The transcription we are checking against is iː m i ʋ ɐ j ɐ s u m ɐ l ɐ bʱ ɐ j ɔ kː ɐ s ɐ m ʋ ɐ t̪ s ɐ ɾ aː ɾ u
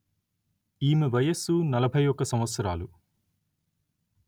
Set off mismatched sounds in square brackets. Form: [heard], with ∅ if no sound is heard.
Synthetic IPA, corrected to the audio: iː m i ʋ ɐ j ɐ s u [n] ɐ l ɐ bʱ ɐ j ɔ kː ɐ s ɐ m ʋ ɐ t̪ s ɐ ɾ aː [l] u